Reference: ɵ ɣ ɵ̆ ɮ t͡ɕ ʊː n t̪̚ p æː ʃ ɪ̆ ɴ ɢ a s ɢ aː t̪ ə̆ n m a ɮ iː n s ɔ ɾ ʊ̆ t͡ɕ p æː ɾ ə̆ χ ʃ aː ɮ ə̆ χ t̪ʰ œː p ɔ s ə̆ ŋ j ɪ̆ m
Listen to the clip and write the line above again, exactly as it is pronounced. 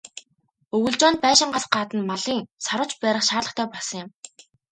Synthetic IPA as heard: ɵ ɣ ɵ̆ ɮ t͡ɕ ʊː n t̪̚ p æː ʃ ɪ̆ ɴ ɢ a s ɢ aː t̪ ə̆ n m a ɮ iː ŋ s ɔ ɾ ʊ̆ t͡ɕ p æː ɾ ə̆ χ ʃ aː ɮ ə̆ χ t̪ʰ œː p ɔ s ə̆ ŋ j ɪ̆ m